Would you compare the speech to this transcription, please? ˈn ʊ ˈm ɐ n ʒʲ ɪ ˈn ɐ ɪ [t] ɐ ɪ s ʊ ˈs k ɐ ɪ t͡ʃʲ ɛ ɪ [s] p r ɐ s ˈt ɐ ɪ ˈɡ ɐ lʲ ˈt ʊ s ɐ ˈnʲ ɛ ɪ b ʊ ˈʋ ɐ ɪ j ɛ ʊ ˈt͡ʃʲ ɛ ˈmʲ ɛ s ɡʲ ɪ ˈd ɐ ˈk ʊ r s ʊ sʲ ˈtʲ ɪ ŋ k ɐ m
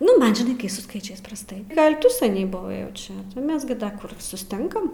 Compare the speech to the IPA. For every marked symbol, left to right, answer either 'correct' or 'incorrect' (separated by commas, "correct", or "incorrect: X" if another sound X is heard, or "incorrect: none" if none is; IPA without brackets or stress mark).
incorrect: k, correct